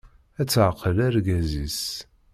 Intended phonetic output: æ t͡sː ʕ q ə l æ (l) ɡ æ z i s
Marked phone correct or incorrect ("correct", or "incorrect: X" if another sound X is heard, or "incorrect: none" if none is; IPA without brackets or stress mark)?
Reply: incorrect: ɾ